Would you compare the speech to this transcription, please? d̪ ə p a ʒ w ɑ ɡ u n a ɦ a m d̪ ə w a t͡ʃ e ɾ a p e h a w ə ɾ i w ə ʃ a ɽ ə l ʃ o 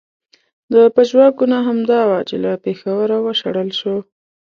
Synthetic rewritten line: d̪ ə p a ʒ w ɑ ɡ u n a ɦ a m d̪ ɑ w a t͡ʃ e l a p e x a w ə ɾ a w ə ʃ a ɽ ə l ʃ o